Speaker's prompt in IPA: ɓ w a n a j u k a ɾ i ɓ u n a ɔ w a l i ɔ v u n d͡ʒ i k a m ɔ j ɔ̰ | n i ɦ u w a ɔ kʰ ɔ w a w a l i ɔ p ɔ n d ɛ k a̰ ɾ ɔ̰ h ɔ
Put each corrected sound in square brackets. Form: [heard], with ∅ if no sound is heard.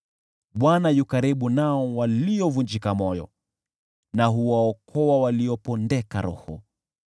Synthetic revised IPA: ɓ w a n a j u k a ɾ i ɓ u n a ɔ w a l i ɔ v u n d͡ʒ i k a m ɔ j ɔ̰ | n [a] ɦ u w a ɔ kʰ ɔ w a w a l i ɔ p ɔ n d ɛ k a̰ ɾ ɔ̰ h ɔ